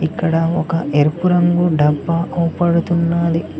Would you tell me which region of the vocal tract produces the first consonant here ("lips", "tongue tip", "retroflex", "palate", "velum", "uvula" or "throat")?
velum